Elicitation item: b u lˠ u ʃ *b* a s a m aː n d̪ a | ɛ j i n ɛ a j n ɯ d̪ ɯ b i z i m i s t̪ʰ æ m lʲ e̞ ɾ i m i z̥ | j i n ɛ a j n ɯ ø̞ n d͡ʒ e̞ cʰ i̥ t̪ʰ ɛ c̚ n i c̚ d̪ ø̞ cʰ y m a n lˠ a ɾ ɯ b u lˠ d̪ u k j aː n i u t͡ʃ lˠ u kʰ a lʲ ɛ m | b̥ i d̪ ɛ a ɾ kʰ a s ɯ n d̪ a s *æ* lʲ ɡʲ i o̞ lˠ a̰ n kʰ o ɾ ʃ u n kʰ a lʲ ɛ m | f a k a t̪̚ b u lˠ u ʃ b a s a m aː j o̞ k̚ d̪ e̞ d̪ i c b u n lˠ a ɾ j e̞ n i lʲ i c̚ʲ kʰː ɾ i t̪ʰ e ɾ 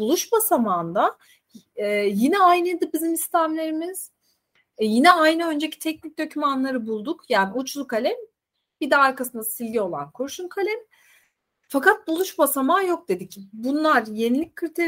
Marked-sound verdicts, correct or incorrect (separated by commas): correct, incorrect